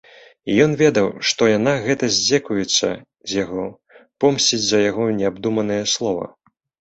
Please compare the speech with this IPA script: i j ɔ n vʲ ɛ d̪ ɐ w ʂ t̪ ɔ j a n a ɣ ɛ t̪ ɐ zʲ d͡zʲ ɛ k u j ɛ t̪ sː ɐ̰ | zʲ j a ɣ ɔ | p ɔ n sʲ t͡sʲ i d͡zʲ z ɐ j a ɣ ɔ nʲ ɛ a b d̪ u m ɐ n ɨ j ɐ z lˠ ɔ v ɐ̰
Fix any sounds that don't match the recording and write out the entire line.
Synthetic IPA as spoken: i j ɔ n vʲ ɛ d̪ ɐ w ʂ t̪ ɔ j a n a ɣ ɛ t̪ ɐ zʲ d͡zʲ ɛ k u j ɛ t̪ sː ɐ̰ | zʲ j a ɣ ɔ | p ɔ m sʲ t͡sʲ i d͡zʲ z ɐ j a ɣ ɔ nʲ ɛ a b d̪ u m ɐ n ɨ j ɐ s lˠ ɔ v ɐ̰